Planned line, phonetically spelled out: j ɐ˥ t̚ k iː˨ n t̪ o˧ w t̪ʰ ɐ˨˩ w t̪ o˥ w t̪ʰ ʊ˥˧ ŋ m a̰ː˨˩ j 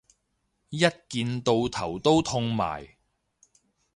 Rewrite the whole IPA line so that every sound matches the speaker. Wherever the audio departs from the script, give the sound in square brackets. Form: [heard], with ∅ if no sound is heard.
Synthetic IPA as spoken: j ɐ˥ t̚ k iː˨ n t̪ o˧ w t̪ʰ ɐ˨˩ w t̪ o˥ w t̪ʰ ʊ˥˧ ŋ m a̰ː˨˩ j

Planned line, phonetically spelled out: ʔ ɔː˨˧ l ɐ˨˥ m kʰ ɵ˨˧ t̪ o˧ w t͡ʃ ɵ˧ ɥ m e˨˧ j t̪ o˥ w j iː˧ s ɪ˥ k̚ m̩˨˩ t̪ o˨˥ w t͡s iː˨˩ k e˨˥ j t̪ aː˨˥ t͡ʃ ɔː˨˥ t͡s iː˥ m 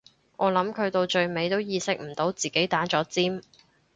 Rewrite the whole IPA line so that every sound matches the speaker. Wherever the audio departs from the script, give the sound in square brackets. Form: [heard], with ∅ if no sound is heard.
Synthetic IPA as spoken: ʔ ɔː˨˧ l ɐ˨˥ m kʰ ɵ˨˧ t̪ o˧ w t͡ʃ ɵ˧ ɥ m e˨˧ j t̪ o˥ w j iː˧ s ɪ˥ k̚ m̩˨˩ t̪ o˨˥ w t͡s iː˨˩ k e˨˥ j t̪ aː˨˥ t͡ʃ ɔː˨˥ t͡s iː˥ m

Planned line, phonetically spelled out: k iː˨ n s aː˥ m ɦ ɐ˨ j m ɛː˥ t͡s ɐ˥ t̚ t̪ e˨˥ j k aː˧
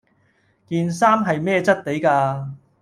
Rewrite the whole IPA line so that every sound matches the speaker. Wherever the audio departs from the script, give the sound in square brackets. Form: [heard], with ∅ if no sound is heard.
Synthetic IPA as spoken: k iː˨ n s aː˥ m ɦ ɐ˨ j m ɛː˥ t͡s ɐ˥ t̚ t̪ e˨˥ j k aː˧

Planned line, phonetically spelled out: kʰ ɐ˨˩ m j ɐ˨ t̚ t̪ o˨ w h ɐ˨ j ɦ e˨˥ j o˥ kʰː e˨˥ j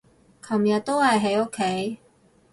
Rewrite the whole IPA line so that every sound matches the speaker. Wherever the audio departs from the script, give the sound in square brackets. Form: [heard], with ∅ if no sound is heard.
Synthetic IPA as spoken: kʰ ɐ˨˩ m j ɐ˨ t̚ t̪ [o˥] w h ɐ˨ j ɦ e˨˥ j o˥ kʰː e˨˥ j

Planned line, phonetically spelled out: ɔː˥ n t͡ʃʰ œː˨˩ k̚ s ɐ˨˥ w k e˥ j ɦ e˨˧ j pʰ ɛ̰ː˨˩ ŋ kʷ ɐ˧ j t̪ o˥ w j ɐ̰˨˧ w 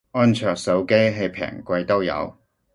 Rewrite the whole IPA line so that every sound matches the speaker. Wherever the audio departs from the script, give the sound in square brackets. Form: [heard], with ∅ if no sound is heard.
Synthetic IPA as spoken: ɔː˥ n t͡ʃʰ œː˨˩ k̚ s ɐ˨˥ w k e˥ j ɦ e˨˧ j pʰ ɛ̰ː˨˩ ŋ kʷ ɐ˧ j t̪ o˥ w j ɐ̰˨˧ w

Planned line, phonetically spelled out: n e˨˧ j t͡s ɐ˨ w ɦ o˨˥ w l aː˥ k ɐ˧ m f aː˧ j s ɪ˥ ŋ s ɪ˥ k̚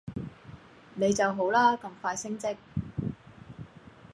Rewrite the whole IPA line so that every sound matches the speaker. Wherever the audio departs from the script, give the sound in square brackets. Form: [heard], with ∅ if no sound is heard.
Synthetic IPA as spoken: n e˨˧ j t͡s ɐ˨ w ɦ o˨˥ w l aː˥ k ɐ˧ m f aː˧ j s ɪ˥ ŋ [t͡s] ɪ˥ k̚

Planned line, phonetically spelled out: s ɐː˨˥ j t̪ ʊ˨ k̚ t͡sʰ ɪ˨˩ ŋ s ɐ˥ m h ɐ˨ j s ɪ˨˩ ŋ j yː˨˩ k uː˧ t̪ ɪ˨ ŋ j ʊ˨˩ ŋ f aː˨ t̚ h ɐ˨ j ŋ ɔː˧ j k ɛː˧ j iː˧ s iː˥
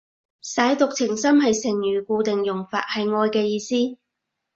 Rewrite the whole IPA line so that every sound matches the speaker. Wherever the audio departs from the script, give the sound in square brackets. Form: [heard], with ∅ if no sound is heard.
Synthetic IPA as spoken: s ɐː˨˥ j t̪ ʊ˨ k̚ t͡sʰ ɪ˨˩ ŋ s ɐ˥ m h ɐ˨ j s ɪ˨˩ ŋ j yː˨˩ k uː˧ t̪ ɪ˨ ŋ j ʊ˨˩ ŋ f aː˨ t̚ h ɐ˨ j ŋ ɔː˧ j k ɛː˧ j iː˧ s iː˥

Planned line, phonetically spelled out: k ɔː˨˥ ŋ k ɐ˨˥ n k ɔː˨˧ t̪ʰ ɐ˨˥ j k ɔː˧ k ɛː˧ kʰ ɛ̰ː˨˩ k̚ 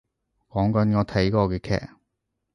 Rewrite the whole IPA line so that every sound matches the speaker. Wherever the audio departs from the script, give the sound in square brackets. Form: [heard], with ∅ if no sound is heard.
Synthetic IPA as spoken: k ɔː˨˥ ŋ k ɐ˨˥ n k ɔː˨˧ t̪ʰ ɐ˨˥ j k ɔː˧ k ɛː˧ kʰ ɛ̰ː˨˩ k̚

